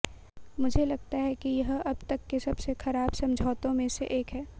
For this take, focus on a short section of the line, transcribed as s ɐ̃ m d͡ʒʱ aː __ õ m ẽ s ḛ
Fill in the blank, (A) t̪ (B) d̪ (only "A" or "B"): A